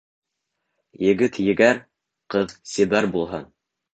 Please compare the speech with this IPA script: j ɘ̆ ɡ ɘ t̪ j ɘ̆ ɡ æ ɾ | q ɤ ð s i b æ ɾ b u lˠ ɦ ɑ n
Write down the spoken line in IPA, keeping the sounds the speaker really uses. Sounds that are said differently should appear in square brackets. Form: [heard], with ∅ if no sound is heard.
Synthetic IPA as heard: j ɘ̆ ɡ ɘ t̪ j ɘ̆ ɡ æ ɾ | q ɤ ð s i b æ ɾ b u lˠ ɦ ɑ n